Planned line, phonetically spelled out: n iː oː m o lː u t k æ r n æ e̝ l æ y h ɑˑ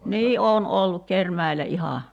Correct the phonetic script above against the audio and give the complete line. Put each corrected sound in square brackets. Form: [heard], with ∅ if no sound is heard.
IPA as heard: n iː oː [n] o lː u [k] k [e] r [m] æ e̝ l æ [i] h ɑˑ